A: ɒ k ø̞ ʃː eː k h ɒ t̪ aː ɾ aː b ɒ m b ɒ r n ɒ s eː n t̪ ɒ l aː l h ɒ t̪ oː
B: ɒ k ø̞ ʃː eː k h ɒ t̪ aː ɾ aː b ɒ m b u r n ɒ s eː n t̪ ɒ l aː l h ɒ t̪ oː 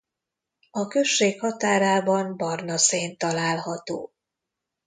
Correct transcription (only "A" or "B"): A